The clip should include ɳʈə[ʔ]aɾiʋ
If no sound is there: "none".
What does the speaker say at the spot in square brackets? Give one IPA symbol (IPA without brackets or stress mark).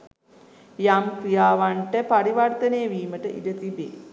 p